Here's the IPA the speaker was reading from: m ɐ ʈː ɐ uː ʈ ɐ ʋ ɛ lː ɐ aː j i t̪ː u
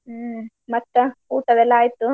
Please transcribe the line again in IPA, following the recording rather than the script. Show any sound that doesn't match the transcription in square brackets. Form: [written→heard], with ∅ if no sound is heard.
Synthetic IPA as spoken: m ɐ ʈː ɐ uː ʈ ɐ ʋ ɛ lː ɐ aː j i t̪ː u